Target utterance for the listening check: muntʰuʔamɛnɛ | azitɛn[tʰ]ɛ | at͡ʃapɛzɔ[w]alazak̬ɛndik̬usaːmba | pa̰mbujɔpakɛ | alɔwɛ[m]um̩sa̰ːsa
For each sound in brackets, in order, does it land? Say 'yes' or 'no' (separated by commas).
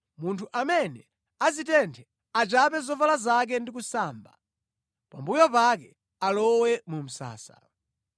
yes, no, yes